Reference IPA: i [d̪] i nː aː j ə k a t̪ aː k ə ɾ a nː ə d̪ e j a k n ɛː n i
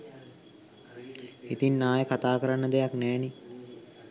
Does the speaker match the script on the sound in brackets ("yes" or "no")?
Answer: no